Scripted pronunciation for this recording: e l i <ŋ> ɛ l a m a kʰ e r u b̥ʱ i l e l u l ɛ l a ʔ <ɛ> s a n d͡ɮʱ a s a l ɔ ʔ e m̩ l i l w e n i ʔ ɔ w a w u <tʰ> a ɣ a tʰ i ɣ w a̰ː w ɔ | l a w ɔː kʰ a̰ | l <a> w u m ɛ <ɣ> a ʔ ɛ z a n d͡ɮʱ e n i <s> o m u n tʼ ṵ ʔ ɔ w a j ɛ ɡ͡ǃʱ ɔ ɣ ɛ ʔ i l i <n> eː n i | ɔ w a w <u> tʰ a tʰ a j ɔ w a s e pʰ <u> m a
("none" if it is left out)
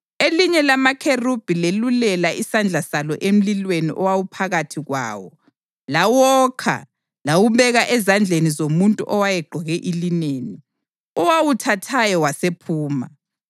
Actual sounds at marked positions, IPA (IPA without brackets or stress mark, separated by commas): ɲ, i, pʰ, a, ɣ, z, n, u, uː